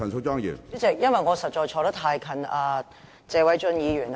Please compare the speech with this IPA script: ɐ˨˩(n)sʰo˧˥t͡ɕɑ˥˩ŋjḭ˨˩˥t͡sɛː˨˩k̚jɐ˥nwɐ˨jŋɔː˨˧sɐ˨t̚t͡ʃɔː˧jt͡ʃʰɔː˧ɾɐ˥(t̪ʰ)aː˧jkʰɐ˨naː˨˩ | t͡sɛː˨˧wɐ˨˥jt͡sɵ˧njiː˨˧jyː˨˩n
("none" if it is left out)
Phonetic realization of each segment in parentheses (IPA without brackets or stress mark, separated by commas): n, t̪ʰ